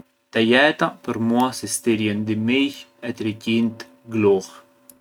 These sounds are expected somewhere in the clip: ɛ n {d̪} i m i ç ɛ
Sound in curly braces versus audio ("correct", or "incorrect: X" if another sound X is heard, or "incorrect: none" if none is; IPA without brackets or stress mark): correct